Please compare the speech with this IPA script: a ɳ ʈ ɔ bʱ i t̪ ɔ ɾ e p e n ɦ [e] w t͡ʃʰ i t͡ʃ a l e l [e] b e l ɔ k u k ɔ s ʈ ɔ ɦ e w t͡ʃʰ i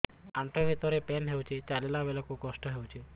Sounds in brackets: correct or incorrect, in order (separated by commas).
correct, incorrect